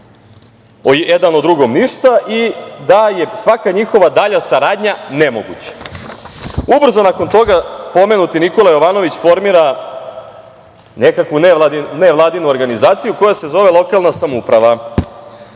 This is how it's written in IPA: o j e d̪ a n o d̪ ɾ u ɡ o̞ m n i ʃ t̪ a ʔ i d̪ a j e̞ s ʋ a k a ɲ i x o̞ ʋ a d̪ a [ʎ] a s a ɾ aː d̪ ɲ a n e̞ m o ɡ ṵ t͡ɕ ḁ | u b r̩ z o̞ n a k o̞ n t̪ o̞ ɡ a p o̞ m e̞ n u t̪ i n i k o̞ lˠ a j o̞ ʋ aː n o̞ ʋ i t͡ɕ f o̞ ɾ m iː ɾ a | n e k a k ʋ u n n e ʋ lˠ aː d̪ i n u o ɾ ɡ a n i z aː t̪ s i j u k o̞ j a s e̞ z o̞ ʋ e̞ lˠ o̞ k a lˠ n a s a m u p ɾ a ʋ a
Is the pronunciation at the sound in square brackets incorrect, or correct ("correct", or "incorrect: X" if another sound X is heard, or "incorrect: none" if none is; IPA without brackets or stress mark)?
correct